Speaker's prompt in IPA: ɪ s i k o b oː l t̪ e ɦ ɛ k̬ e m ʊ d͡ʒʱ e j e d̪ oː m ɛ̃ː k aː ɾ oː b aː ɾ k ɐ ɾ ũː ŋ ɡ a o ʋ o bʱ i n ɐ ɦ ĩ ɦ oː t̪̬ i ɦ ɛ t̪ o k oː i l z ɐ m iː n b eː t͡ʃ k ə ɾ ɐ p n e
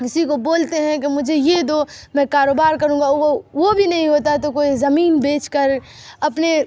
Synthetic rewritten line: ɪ s i k o b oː l t̪ e ɦ ɛ̃ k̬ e m ʊ d͡ʒʱ e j e d̪ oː m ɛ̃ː k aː ɾ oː b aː ɾ k ɐ ɾ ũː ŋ ɡ a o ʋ o bʱ i n ɐ ɦ ĩ ɦ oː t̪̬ a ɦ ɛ t̪ o k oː i z ɐ m iː n b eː t͡ʃ k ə ɾ ɐ p n e